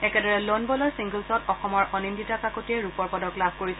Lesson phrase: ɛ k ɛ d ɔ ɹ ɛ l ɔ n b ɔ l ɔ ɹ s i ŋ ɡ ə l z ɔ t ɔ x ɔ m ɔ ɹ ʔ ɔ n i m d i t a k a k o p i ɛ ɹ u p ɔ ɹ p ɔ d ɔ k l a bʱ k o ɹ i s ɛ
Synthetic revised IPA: ɛ k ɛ d ɔ ɹ ɛ l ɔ n b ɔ l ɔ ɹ s i ŋ ɡ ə l s ɔ t ɔ x ɔ m ɔ ɹ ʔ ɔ n i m d i t a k a k o t i ɛ ɹ u p ɔ ɹ p ɔ d ɔ k l a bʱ k o ɹ i s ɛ